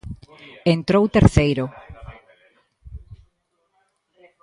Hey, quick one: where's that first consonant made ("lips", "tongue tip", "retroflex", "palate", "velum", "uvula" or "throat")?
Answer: tongue tip